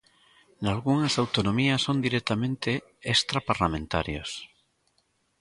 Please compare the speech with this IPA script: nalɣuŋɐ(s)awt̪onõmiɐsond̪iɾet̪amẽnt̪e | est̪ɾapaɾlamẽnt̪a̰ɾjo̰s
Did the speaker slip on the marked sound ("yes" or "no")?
no